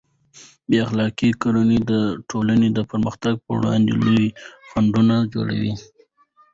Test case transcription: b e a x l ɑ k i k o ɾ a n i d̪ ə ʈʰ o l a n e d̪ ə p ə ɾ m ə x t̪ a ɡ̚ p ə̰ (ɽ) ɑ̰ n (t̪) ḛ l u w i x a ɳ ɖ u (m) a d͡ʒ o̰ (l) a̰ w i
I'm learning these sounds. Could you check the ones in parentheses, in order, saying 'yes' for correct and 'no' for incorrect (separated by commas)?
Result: yes, no, no, no